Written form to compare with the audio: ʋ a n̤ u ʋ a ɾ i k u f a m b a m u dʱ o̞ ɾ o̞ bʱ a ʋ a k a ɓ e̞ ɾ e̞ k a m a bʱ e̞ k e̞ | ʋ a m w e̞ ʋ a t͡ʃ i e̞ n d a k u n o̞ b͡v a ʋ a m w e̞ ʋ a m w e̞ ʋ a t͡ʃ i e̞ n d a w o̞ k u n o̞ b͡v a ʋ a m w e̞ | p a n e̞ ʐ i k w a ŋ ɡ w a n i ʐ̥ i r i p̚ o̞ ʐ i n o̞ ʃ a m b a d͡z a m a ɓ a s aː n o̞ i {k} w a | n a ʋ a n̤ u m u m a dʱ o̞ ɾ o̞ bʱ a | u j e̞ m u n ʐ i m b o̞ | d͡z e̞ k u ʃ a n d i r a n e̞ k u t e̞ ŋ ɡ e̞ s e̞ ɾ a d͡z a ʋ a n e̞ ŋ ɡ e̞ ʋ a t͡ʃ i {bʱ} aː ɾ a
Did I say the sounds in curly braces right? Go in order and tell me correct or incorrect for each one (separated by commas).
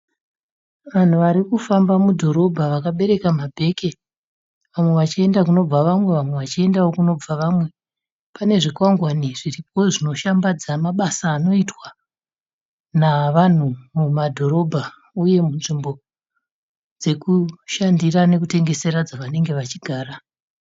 incorrect, incorrect